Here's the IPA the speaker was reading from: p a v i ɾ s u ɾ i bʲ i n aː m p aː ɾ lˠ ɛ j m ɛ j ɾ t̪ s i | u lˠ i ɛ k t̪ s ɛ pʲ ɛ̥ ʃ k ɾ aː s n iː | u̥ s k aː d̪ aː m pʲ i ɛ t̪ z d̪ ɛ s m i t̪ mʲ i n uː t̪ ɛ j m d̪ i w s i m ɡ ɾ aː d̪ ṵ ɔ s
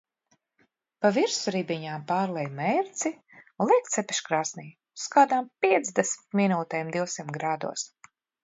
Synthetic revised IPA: p a v i ɾ s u ɾ i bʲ i ɲ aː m p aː ɾ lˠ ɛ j m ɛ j ɾ t̪ s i | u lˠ i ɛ k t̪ s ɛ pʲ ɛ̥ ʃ k ɾ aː s n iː | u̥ s k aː d̪ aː m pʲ i ɛ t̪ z d̪ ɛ s m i t̪ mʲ i n uː t̪ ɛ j m d̪ i w s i m ɡ ɾ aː d̪ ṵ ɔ s

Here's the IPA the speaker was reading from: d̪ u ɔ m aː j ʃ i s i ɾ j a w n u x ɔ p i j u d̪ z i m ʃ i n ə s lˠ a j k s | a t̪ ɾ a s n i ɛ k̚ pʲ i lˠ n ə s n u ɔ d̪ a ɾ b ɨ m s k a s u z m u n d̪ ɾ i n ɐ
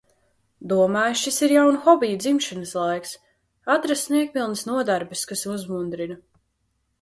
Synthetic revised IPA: d̪ u ɔ m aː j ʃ i s i ɾ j a w n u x ɔ b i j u d̪ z i m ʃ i n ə s lˠ a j k s | a t̪ ɾ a s n i ɛ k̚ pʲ i lˠ n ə s n u ɔ d̪ a ɾ b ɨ s k a s u z m u n d̪ ɾ i n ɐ

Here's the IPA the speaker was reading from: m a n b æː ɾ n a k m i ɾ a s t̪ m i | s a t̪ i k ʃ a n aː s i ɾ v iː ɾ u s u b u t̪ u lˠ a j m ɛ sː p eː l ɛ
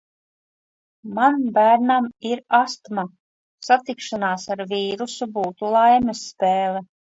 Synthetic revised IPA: m a n b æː ɾ n a m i ɾ a s t̪ m a | s a t̪ i k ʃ a n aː s a ɾ v iː ɾ u s u b uː t̪ u lˠ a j m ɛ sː p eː l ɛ

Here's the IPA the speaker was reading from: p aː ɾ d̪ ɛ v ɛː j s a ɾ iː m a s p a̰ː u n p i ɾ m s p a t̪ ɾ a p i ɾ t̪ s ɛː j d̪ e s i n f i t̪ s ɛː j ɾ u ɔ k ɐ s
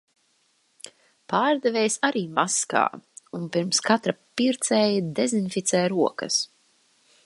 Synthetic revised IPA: p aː ɾ d̪ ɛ v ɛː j s a ɾ iː m a s k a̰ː u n p i ɾ m s k a t̪ ɾ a p i ɾ t̪ s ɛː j d̪ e z i n f i t̪ s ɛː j ɾ u ɔ k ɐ s

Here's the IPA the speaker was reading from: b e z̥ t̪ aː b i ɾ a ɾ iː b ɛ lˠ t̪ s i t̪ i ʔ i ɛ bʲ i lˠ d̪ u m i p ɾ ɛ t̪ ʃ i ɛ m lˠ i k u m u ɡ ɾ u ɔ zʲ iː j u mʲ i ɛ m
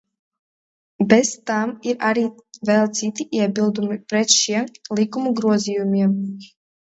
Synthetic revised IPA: b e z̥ t̪ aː m i ɾ a ɾ iː v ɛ lˠ t̪ s i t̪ i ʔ i ɛ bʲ i lˠ d̪ u m i p ɾ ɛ t̪ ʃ i ɛ m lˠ i k u m u ɡ ɾ u ɔ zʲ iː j u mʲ i ɛ m

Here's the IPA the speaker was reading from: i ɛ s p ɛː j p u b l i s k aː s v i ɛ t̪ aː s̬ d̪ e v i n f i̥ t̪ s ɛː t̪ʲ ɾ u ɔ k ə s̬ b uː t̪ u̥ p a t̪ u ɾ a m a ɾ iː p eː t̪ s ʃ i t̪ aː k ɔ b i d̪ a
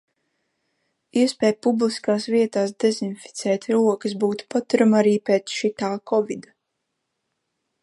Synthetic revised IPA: i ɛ s p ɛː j p u b l i s k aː s v i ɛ t̪ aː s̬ d̪ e z i n f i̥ t̪ s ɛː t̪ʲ ɾ u ɔ k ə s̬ b uː t̪ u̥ p a t̪ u ɾ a m a ɾ iː p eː t̪ s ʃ i t̪ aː k ɔ v i d̪ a

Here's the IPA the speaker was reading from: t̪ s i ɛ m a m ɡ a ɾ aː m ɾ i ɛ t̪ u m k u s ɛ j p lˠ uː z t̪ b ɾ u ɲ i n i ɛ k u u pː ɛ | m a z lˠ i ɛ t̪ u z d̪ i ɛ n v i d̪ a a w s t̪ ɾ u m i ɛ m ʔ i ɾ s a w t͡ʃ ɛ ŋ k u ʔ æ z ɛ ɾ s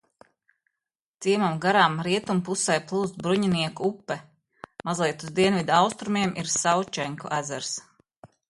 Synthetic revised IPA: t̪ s i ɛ m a m ɡ a ɾ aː m ɾ i ɛ t̪ u m p u s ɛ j p lˠ uː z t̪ b ɾ u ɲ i n i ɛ k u u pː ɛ | m a z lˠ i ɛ t̪ u z d̪ i ɛ n v i d̪ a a w s t̪ ɾ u m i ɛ m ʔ i ɾ s a w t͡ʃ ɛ ŋ k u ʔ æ z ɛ ɾ s

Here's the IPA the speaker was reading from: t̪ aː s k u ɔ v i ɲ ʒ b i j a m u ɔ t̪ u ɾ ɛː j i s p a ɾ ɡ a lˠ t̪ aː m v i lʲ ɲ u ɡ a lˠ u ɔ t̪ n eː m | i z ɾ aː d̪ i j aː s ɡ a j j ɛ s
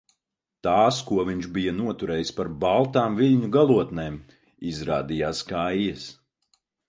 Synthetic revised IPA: t̪ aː s k u ɔ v i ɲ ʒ b i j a n u ɔ t̪ u ɾ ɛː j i s p a ɾ b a lˠ t̪ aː m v i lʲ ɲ u ɡ a lˠ u ɔ t̪ n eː m | i z ɾ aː d̪ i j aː s k a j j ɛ s

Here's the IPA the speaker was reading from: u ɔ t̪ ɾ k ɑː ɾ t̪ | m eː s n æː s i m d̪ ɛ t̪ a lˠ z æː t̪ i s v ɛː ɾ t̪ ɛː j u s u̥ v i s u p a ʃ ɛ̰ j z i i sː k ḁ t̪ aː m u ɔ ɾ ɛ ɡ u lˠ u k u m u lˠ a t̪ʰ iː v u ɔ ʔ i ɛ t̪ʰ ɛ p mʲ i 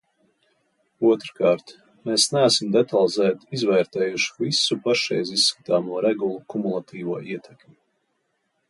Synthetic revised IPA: u ɔ t̪ ɾ k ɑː ɾ t̪ | m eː s n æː s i m d̪ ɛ t̪ a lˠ z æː t̪ i z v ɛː ɾ t̪ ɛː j u ʃ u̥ v i s u p a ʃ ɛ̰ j z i i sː k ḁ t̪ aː m u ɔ ɾ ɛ ɡ u lˠ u k u m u lˠ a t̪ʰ iː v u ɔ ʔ i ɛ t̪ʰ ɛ k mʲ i

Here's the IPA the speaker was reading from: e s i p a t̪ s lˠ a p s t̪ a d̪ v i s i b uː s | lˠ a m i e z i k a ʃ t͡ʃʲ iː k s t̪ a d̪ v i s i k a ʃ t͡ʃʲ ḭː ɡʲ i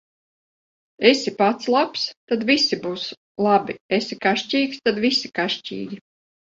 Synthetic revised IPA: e s i p a t̪ s lˠ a p s t̪ a d̪ v i s i b uː s | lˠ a b i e s i k a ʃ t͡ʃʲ iː k s t̪ a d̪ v i s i k a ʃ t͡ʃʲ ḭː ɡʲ i

